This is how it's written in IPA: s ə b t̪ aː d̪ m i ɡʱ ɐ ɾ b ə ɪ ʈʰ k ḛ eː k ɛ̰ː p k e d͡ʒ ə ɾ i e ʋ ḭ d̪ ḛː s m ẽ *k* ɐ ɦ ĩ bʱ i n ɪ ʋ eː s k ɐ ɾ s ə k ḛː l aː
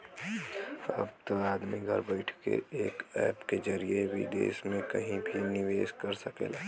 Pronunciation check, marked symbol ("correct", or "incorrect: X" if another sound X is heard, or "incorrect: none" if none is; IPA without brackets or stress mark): correct